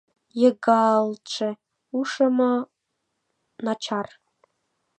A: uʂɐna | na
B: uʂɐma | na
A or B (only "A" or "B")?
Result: B